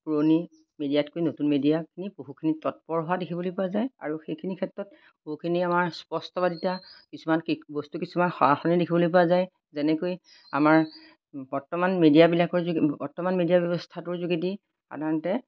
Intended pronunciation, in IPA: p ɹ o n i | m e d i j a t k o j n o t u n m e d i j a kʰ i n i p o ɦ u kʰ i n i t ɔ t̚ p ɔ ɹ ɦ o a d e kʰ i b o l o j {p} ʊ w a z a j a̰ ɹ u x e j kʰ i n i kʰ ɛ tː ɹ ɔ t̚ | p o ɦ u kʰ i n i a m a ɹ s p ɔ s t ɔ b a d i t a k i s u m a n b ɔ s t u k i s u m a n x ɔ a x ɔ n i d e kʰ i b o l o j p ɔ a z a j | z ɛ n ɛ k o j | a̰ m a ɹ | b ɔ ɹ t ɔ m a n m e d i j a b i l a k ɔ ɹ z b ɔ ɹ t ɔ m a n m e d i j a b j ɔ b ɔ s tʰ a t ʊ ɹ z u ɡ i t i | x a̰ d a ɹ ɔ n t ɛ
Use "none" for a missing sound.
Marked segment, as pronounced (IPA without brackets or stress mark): p